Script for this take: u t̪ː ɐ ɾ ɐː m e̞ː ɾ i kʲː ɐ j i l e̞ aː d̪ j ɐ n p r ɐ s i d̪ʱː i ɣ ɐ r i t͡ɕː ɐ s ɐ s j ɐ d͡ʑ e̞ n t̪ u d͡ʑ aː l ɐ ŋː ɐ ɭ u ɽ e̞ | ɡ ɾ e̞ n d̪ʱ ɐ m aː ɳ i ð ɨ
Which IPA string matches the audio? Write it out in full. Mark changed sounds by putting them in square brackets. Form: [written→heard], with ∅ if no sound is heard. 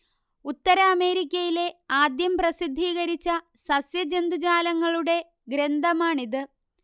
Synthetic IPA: u t̪ː ɐ ɾ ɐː m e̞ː ɾ i kʲː ɐ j i l e̞ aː d̪ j ɐ [n→m] p r ɐ s i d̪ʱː [i→iː] ɣ ɐ [r→ɾ] i t͡ɕː ɐ s ɐ s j ɐ d͡ʑ e̞ n [t̪→d̪] u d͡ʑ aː l ɐ ŋː ɐ ɭ u ɽ e̞ | ɡ ɾ e̞ n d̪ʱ ɐ m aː ɳ i ð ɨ